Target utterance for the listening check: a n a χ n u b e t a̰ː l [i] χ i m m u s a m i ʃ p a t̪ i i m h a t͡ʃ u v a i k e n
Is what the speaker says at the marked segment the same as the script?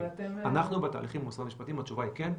yes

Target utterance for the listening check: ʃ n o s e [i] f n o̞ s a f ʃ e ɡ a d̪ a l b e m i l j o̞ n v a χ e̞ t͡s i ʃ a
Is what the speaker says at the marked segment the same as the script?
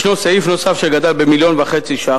yes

